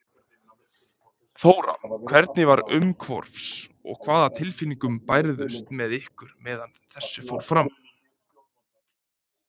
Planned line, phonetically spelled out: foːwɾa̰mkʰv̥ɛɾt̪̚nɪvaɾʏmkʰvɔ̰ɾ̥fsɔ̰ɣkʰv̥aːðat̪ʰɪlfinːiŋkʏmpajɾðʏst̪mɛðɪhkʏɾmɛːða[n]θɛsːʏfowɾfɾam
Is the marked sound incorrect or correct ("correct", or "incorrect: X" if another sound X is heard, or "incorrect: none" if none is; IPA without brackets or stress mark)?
correct